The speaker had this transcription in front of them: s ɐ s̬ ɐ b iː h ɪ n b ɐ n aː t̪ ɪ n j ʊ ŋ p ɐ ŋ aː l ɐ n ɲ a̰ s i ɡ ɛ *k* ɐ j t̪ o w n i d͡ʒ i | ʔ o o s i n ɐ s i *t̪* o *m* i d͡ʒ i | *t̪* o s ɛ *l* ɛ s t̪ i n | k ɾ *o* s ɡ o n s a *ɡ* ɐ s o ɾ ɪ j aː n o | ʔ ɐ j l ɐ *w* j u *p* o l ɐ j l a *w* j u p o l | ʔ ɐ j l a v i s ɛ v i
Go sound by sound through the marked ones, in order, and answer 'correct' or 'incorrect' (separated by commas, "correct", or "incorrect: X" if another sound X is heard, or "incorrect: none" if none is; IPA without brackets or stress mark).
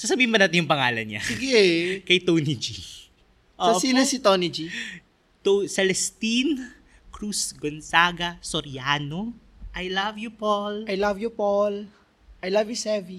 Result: correct, correct, incorrect: n, correct, correct, incorrect: u, correct, incorrect: v, correct, incorrect: v